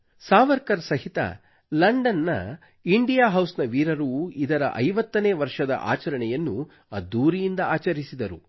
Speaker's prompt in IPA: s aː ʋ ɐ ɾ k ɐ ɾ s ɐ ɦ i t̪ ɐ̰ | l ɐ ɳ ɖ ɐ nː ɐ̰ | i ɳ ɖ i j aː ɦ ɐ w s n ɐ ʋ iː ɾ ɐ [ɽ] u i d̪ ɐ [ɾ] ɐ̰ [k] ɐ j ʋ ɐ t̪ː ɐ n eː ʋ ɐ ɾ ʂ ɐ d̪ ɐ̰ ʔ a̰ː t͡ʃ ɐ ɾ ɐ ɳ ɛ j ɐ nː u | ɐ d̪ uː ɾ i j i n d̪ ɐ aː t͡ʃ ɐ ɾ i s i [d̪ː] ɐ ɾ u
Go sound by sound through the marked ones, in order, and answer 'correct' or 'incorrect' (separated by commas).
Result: incorrect, correct, incorrect, incorrect